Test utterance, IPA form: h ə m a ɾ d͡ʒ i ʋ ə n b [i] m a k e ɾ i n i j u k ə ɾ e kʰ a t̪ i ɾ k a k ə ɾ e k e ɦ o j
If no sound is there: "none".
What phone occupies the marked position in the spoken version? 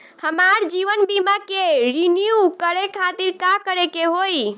i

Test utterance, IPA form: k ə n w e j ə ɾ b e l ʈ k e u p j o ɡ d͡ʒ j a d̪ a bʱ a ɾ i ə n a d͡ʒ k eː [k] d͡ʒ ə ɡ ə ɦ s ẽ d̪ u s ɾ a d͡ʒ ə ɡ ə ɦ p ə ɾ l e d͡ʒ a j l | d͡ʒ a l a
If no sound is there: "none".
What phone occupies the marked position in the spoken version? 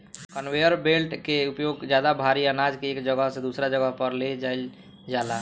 k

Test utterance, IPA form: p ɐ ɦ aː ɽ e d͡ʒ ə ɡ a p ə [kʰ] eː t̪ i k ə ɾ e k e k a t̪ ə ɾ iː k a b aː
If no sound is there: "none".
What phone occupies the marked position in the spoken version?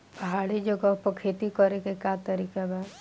kʰ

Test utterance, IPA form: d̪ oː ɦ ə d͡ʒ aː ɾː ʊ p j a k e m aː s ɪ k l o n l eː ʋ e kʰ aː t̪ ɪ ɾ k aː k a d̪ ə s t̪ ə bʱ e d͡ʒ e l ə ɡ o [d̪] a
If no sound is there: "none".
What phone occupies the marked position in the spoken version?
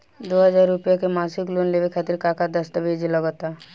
t̪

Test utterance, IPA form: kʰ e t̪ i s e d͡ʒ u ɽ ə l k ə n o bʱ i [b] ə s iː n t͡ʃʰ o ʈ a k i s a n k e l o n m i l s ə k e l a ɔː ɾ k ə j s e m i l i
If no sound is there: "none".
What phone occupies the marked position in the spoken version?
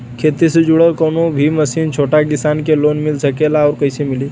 m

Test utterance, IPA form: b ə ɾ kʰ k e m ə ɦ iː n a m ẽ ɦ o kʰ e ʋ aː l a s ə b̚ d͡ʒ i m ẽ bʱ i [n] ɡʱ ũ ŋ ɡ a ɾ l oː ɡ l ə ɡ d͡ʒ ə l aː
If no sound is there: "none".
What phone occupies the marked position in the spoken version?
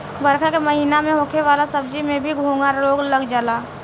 none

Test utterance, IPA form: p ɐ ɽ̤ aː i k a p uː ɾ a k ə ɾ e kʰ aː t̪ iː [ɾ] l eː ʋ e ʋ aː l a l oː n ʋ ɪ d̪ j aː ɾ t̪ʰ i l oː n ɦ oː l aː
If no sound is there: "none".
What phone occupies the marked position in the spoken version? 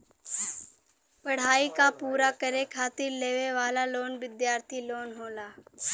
ɾ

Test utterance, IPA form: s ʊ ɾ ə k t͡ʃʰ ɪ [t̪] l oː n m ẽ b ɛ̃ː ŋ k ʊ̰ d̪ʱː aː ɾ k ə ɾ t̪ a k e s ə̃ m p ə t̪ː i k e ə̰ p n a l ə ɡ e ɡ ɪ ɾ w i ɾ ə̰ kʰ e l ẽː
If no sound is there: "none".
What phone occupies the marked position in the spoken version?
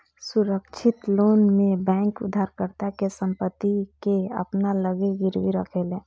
t̪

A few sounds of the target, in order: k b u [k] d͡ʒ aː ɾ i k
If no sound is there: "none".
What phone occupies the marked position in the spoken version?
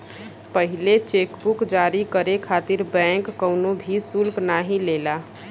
k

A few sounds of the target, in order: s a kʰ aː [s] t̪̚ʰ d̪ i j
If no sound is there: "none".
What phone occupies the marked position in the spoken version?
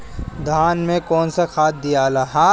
none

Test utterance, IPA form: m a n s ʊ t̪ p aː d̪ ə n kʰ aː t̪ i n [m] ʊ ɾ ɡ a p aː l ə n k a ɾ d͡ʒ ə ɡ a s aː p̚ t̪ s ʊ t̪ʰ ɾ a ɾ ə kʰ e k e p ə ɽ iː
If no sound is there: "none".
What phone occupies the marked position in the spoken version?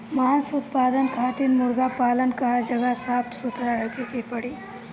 m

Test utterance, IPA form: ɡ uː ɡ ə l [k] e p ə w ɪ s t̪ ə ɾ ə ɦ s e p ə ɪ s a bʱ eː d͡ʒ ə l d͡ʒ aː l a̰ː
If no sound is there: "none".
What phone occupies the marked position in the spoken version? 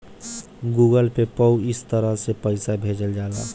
p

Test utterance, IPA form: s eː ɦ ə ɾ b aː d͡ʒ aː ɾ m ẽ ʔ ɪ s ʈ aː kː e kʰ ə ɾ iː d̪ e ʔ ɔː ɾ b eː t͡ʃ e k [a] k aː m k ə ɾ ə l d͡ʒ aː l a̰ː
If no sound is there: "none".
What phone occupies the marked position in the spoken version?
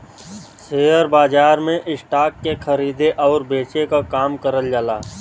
a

